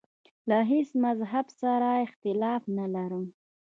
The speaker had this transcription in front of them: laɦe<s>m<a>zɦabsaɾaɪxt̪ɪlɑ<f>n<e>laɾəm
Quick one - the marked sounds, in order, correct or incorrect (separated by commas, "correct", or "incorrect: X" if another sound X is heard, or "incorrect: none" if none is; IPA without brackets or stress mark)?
correct, correct, correct, incorrect: a